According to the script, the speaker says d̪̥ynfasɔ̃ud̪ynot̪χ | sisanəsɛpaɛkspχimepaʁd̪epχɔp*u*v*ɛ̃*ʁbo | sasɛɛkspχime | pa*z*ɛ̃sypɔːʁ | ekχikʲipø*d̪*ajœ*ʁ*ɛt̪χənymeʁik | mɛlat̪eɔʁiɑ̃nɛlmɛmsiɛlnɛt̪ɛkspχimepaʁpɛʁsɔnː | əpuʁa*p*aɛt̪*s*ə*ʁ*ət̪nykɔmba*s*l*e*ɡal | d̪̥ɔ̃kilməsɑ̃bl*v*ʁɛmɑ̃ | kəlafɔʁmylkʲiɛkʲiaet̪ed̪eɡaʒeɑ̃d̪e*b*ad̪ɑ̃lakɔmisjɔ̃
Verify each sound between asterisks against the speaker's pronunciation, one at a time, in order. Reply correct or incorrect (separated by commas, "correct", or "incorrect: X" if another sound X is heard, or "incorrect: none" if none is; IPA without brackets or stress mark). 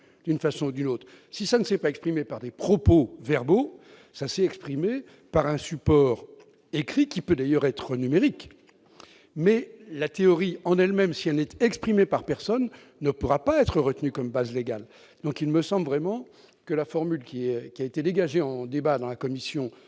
incorrect: o, incorrect: ɛ, incorrect: ʁ, correct, correct, correct, incorrect: χ, correct, incorrect: z, correct, correct, correct